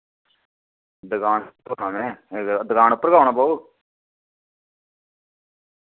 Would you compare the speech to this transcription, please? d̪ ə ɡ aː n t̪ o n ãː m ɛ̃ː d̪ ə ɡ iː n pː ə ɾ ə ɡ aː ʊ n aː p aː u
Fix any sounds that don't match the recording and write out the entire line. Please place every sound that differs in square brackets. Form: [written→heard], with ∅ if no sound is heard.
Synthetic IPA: d̪ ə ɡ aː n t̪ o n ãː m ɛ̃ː d̪ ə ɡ [iː→aː] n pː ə ɾ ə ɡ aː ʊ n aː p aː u